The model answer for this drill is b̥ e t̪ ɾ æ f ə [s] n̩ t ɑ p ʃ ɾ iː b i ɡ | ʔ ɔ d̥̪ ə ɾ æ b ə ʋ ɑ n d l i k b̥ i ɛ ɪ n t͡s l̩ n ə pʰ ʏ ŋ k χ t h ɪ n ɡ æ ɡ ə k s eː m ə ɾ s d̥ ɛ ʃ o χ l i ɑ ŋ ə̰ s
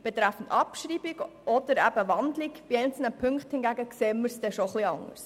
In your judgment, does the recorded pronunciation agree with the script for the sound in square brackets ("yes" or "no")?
no